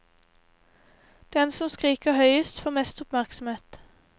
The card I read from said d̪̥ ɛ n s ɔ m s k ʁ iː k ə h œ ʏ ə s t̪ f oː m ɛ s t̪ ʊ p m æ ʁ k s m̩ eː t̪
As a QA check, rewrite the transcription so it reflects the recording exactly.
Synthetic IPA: d̪̥ ɛ n s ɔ m s k ʁ iː k ə h œ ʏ ə s t̪ f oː m ɛ s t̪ ʊ p m æ ʁ k s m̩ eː t̪